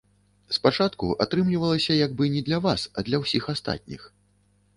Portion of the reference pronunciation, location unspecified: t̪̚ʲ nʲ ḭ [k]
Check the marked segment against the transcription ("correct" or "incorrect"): incorrect